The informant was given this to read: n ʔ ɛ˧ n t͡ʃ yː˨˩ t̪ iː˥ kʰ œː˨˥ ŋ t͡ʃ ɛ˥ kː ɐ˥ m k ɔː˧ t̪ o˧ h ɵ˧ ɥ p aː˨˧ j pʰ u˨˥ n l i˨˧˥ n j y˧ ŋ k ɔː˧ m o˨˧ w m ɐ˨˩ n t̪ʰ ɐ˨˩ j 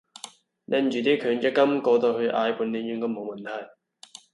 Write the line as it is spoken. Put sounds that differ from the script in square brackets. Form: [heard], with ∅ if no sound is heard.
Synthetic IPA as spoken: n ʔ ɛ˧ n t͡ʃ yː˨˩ t̪ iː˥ kʰ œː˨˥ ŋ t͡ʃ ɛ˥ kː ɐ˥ m k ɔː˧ t̪ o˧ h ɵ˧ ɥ [ʔ] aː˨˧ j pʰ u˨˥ n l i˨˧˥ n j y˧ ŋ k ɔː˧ m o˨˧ w m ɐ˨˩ n t̪ʰ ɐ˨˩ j